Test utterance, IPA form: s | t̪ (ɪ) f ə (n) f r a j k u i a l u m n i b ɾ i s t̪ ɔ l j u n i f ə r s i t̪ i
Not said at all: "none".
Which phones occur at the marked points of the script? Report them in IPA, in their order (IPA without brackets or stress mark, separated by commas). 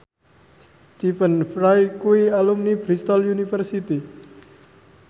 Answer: i, n